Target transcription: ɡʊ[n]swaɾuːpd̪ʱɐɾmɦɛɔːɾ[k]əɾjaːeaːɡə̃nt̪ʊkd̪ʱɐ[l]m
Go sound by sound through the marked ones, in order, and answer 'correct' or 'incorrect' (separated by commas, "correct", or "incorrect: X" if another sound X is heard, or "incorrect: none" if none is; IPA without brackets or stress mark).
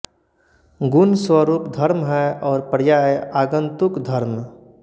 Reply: correct, incorrect: p, incorrect: ɾ